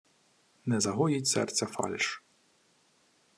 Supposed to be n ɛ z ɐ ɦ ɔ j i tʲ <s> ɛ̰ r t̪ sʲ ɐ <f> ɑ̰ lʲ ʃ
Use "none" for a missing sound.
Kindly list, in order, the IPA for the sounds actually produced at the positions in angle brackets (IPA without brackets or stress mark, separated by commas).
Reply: s, f